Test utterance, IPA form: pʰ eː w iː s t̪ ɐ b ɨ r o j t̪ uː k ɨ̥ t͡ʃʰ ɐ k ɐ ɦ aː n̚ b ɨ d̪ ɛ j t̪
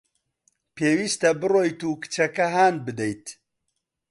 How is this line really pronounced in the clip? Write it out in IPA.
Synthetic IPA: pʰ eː w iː s t̪ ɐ b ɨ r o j t̪ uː k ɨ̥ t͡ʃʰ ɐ k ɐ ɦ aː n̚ b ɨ d̪ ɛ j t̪